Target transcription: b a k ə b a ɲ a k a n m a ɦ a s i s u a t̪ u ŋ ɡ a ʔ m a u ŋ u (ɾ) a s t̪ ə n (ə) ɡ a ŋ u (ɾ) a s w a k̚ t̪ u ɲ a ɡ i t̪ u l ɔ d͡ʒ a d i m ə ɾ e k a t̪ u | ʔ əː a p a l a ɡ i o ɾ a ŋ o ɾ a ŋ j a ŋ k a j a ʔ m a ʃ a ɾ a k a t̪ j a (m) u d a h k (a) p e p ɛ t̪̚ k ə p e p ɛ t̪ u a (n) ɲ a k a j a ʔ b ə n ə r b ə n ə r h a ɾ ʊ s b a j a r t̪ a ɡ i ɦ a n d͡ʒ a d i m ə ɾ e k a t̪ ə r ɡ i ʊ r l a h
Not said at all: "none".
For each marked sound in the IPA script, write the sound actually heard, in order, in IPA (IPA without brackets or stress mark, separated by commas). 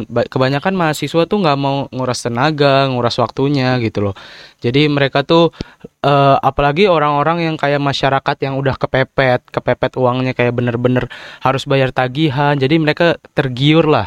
ɾ, a, ɾ, ŋ, ə, ŋ